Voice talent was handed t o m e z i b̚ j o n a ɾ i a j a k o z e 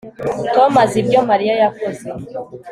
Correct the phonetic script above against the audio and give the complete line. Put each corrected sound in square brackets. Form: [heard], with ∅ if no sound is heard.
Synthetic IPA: t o m [a] z i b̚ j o [m] a ɾ i a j a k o z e